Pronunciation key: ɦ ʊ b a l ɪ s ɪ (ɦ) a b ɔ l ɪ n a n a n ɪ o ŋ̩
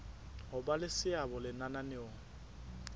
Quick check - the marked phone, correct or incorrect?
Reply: incorrect